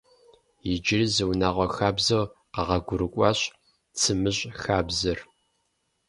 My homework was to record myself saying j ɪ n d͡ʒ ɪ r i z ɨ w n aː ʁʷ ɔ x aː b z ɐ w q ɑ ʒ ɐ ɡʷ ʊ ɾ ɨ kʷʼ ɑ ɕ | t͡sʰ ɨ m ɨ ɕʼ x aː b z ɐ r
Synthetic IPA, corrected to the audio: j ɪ d͡ʒ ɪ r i z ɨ w n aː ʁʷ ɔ x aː b z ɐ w q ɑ ʁ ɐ ɡʷ ʊ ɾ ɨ kʷʼ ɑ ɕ | t͡sʰ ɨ m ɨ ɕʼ x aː b z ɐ r

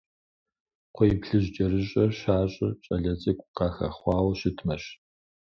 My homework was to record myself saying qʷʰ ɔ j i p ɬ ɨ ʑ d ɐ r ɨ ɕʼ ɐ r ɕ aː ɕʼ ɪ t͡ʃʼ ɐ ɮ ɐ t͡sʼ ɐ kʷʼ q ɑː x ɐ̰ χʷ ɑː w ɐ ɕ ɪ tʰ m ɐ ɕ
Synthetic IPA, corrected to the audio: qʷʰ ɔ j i p ɬ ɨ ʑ d͡ʒ ɐ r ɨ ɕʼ ɐ r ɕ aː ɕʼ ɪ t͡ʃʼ ɐ ɮ ɐ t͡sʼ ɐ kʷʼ q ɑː x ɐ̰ χʷ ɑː w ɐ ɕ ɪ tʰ m ɐ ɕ

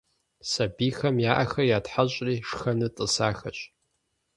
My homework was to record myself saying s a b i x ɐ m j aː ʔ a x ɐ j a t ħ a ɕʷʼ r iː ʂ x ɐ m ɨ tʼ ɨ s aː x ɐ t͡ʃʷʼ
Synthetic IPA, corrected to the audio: s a b i x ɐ m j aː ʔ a x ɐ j a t ħ a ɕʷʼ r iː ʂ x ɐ n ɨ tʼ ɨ s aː x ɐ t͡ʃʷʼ

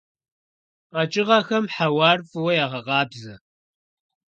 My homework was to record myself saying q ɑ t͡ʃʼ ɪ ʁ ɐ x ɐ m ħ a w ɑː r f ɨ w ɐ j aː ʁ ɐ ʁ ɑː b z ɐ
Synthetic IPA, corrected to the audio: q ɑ t͡ʃʼ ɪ ʁ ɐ x ɐ m ħ a w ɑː r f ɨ w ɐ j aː ʁ ɐ ʁ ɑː b z ɐ

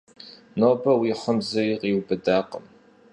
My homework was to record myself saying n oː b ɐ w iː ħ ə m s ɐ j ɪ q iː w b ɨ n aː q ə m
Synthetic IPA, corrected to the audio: n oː b ɐ w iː ħ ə m z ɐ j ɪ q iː w b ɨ d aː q ə m

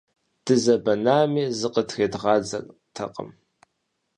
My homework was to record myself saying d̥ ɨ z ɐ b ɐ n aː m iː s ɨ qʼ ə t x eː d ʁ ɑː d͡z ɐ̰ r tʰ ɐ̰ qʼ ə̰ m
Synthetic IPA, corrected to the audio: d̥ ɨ z ɐ b ɐ n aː m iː z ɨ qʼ ə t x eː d ʁ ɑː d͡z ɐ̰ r tʰ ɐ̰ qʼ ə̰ m

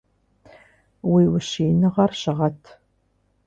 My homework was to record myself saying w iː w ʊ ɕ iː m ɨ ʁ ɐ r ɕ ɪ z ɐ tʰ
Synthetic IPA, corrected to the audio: w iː w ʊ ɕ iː n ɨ ʁ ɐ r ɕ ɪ ʁ ɐ tʰ

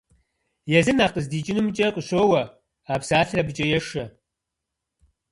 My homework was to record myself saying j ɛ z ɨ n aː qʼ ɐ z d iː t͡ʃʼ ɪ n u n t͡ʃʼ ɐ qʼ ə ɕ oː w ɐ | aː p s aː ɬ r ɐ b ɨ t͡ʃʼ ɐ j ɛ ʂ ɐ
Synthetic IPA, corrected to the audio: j ɛ z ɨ n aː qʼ ə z d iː t͡ʃʼ ɪ n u m t͡ʃʼ ɐ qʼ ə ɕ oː w ɐ | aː p s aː ɬ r ɐ b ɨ t͡ʃʼ ɐ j ɛ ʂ ɐ

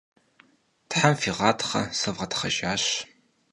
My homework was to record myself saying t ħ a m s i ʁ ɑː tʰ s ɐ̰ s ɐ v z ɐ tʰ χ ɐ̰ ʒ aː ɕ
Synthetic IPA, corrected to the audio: t ħ a m f i ʁ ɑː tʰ χ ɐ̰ s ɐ v ʁ ɐ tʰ χ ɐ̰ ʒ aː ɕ

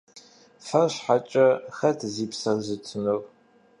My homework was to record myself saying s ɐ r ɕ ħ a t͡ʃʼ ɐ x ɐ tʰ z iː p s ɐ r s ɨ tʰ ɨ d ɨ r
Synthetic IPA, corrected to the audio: f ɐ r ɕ ħ a t͡ʃʼ ɐ x ɐ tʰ z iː p s ɐ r z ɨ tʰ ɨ n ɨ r

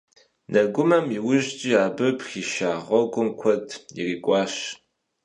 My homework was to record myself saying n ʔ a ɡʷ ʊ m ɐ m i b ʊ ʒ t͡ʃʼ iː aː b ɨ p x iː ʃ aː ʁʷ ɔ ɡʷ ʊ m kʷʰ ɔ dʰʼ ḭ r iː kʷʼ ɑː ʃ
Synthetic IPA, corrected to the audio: n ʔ ɐ ɡʷ ʊ m ɐ m i w ʊ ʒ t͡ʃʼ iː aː b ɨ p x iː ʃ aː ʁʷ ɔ ɡʷ ʊ m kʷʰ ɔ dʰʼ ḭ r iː kʷʼ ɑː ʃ

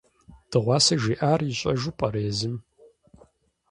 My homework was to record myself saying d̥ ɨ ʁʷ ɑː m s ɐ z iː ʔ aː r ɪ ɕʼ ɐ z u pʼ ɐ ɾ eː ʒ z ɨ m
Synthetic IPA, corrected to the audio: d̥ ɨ ʁʷ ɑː s ɐ ʒ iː ʔ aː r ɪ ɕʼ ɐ ʒ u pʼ ɐ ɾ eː z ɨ m

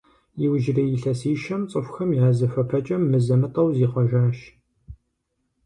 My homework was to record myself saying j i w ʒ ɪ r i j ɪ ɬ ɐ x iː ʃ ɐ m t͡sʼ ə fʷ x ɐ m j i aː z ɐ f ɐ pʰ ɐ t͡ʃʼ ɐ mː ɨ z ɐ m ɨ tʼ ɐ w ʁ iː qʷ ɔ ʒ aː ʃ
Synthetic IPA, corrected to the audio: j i w ʒ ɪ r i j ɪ ɬ ɐ s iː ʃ ɐ m t͡sʼ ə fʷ x ɐ m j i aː z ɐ f ɐ pʰ ɐ t͡ʃʼ ɐ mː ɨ z ɐ m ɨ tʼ ɐ w z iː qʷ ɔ ʒ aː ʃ

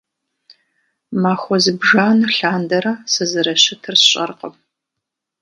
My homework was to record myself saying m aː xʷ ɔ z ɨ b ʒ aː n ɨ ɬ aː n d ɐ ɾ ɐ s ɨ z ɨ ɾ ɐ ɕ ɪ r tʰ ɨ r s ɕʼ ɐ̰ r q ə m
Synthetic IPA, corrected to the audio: m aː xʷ ɔ z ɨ b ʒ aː n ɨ ɬ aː n d ɐ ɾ ɐ s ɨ z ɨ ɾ ɐ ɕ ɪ tʰ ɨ r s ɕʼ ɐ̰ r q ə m

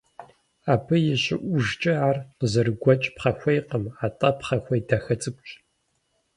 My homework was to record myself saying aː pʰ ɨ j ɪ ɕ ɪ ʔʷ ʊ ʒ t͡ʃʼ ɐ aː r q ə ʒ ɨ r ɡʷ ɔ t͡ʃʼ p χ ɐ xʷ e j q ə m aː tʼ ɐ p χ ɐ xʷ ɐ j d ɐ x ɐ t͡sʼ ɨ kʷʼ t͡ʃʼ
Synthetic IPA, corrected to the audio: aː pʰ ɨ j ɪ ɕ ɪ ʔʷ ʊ ʒ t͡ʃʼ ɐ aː r q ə z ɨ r ɡʷ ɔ t͡ʃʼ p χ ɐ xʷ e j q ə m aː tʼ ɐ p χ ɐ xʷ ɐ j d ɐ x ɐ t͡sʼ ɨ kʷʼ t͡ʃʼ

